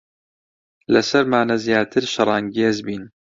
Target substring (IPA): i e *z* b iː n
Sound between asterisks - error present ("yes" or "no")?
no